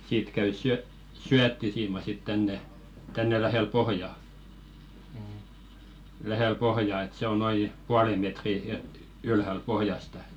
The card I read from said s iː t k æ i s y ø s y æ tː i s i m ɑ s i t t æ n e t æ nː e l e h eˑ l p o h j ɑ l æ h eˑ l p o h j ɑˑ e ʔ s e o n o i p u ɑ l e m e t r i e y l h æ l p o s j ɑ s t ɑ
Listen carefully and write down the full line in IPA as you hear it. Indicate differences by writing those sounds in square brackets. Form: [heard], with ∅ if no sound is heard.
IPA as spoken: s iː t k æ [y] s y ø s y æ tː i s [iː] m ɑ s i t t æ [nː] e t æ nː e l [æ] h eˑ l p o h j ɑ l æ h eˑ l p o h j ɑˑ e [t] s e o n o i p u ɑ l e m e t r i e y l h æ l p o [h] j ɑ s t ɑ